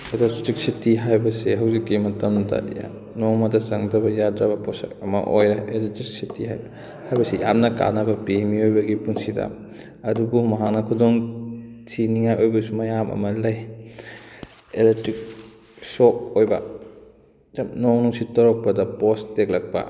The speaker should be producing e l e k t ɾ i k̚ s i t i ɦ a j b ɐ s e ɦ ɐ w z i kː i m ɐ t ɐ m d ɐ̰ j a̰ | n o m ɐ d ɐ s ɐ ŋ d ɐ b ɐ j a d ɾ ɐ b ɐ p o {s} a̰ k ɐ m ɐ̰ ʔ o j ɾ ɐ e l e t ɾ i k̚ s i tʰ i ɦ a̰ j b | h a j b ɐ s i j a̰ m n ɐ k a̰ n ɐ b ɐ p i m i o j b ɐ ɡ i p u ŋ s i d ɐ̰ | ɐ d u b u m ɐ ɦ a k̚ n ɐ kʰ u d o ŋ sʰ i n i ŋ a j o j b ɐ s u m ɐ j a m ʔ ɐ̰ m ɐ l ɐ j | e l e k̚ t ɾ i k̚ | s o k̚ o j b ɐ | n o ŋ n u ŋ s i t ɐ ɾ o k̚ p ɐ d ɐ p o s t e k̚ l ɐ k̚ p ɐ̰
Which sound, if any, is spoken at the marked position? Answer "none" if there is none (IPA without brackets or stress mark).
s